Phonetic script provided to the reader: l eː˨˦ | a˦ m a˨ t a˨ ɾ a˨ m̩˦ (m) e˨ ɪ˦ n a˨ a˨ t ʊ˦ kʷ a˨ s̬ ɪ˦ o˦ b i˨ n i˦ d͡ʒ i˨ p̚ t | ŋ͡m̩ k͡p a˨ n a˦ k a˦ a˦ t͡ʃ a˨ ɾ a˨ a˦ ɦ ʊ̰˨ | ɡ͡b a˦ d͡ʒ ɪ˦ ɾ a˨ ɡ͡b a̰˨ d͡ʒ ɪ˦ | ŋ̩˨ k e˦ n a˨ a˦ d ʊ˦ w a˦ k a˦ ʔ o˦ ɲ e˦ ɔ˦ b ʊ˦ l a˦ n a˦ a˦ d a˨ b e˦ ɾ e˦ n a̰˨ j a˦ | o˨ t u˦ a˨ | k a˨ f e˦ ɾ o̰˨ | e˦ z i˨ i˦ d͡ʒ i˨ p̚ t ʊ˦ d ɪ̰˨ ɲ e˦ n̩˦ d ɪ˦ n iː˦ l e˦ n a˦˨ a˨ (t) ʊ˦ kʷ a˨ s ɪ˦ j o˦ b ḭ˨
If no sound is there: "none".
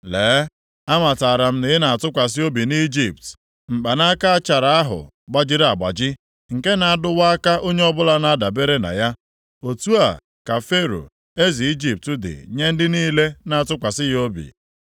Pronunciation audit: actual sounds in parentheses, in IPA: n, t

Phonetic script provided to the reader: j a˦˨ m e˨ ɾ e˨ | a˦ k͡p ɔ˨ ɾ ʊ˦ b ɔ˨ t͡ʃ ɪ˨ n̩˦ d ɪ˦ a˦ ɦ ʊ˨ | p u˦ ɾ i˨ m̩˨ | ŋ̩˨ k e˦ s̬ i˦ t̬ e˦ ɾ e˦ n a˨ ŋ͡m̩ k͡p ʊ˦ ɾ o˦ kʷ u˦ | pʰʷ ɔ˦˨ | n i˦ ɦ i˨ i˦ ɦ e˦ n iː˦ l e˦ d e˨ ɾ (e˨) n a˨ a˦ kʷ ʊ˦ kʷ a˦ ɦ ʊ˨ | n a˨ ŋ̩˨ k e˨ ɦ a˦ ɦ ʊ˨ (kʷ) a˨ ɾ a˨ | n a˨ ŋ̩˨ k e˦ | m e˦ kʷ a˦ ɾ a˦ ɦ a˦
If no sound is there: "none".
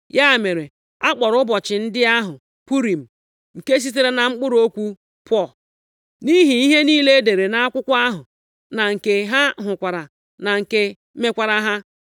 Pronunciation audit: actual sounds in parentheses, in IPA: e˨, kʷ

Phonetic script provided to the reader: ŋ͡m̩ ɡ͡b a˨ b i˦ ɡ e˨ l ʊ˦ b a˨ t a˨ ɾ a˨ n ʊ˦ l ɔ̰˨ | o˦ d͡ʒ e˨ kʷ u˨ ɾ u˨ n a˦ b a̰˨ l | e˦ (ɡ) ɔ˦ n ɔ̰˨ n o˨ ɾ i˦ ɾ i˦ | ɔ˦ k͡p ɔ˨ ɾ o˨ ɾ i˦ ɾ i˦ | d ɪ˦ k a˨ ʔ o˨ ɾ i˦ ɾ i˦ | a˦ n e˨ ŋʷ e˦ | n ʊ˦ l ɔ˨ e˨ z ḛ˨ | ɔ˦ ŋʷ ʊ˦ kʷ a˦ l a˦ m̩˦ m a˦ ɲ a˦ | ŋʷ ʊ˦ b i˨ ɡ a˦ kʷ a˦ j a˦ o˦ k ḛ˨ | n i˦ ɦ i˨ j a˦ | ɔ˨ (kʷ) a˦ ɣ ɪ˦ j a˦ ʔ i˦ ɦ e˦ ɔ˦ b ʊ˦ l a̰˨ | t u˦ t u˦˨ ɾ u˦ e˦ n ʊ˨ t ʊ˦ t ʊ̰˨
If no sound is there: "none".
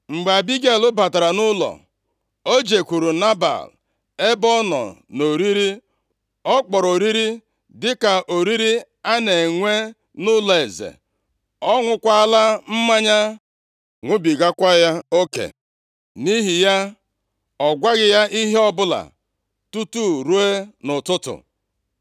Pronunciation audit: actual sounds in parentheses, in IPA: b, ɡʷ

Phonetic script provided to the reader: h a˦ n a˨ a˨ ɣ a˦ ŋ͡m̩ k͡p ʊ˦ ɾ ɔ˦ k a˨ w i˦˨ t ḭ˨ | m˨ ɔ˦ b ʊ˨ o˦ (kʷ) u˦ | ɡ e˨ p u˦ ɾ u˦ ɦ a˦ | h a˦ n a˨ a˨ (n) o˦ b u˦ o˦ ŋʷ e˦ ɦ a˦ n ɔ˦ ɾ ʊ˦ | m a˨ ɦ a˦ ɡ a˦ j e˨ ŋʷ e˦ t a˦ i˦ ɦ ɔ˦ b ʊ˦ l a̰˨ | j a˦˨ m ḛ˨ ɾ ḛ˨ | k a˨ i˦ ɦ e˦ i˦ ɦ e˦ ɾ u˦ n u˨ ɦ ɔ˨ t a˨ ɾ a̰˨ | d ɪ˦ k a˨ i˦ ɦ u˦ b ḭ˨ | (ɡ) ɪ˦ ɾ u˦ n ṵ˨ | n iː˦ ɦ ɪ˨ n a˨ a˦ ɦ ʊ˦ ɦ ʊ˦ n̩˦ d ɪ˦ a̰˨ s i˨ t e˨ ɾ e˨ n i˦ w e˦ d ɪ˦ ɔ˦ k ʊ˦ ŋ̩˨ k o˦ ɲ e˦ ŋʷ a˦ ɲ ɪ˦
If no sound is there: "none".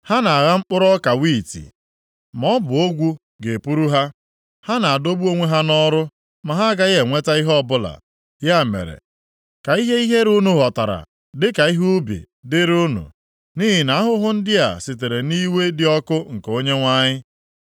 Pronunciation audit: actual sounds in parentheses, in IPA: ɡʷ, d, d

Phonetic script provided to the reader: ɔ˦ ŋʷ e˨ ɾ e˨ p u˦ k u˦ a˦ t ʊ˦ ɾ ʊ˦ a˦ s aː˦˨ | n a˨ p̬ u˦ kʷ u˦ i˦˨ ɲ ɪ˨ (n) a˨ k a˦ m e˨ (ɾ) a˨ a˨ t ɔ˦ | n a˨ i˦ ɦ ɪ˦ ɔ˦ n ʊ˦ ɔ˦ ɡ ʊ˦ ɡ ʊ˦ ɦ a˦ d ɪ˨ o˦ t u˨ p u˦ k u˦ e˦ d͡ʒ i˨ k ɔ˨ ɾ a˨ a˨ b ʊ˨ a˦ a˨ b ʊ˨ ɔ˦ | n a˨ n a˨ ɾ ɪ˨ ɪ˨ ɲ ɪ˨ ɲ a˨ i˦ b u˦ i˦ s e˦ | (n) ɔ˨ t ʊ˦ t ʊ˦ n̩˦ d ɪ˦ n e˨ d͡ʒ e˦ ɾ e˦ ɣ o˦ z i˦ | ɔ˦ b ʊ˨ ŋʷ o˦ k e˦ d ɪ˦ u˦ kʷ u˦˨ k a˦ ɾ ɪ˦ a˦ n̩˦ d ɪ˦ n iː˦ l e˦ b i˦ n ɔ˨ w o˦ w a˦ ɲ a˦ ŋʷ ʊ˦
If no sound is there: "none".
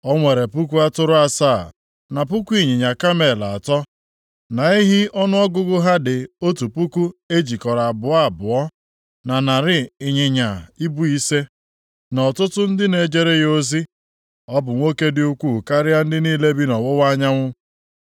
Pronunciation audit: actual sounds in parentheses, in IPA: ɲ, l, n

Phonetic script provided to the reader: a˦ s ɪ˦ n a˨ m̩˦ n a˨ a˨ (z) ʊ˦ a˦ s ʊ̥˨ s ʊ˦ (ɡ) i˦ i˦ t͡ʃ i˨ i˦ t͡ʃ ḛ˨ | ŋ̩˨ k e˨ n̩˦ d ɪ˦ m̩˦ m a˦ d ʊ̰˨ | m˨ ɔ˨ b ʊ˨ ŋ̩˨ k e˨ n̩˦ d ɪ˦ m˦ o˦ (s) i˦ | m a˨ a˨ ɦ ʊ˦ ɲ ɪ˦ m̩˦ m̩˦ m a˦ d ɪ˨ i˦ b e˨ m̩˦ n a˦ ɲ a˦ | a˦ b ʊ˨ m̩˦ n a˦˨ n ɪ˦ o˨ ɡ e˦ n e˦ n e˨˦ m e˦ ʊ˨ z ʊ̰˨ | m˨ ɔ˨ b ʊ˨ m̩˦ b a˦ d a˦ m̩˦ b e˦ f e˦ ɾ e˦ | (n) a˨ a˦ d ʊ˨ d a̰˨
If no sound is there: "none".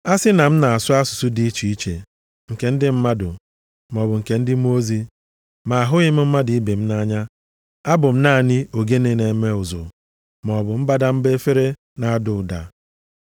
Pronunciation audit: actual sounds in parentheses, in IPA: s, d, z, n

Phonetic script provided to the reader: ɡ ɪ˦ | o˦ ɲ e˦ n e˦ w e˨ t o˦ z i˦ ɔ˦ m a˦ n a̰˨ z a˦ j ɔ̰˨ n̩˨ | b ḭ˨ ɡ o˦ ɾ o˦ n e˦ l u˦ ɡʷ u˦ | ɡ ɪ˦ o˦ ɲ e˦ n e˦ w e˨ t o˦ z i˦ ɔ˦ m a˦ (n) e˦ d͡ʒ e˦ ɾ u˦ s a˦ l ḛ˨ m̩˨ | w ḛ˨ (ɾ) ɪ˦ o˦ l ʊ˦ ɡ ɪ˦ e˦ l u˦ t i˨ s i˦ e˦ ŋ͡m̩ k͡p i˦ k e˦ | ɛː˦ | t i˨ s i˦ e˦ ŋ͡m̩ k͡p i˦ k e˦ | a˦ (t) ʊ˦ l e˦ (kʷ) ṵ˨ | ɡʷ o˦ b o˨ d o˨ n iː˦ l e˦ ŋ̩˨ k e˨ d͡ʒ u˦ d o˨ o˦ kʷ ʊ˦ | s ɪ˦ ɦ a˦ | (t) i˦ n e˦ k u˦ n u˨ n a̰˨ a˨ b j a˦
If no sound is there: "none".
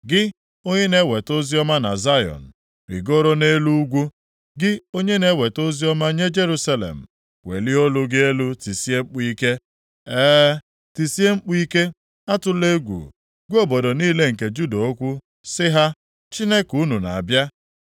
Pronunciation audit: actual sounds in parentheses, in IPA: ɲ, l, t, ɡʷ, t͡ʃ

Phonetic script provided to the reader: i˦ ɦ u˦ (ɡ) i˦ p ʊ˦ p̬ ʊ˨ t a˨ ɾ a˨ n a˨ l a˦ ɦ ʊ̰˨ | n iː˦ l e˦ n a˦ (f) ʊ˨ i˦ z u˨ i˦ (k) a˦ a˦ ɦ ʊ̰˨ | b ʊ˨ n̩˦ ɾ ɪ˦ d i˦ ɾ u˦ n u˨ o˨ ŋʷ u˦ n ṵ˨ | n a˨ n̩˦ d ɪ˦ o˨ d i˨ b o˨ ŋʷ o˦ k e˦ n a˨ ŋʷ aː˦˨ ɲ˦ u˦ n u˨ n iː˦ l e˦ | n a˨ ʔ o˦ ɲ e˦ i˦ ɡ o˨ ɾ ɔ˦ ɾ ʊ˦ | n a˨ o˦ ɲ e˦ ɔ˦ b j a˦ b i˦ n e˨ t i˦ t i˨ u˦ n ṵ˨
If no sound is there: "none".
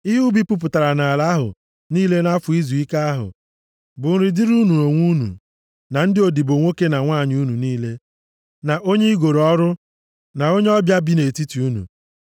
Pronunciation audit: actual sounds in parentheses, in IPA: b, f, k

